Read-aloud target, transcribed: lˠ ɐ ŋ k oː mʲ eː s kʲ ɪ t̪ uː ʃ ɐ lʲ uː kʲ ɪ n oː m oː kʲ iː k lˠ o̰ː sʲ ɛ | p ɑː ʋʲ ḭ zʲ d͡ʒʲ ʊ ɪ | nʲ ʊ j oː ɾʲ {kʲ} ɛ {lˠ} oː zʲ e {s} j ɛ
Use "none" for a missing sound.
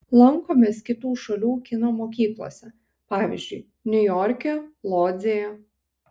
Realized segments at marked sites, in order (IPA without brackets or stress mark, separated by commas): kʲ, lˠ, none